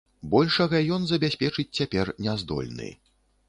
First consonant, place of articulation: labial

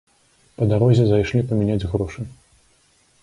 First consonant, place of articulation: labial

